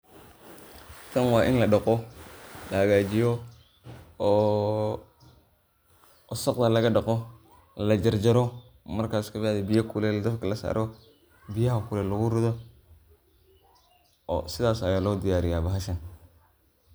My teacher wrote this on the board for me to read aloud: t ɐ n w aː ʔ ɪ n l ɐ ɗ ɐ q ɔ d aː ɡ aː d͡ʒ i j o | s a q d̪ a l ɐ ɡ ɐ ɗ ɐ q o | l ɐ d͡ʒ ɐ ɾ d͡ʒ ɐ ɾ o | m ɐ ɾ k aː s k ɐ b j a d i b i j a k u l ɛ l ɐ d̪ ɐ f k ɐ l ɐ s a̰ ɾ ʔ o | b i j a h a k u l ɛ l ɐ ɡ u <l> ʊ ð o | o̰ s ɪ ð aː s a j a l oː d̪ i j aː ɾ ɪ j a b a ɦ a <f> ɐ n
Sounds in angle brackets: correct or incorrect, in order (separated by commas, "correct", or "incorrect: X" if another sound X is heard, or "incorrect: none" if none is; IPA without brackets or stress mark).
incorrect: ɾ, incorrect: ʃ